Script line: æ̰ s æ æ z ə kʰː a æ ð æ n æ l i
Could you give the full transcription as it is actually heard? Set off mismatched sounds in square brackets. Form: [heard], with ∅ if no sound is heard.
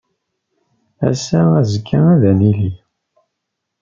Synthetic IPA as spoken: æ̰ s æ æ z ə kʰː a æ ð æ n [i] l i